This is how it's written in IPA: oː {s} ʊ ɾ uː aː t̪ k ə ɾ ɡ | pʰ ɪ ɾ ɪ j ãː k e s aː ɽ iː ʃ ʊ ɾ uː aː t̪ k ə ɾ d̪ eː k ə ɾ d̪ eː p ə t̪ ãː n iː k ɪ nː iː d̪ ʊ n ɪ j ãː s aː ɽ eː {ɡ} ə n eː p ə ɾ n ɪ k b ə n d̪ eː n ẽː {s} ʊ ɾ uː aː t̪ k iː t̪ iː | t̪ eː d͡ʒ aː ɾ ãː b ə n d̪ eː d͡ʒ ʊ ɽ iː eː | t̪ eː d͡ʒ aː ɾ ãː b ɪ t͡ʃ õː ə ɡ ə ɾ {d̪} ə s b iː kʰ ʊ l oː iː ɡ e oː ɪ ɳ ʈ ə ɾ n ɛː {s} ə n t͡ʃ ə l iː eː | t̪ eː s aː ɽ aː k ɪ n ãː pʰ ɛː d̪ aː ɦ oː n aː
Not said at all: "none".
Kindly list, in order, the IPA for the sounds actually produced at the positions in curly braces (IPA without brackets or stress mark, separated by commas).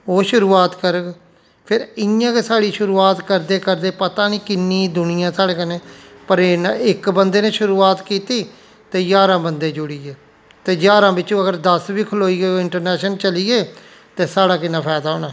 ʃ, k, ʃ, d̪, ʃ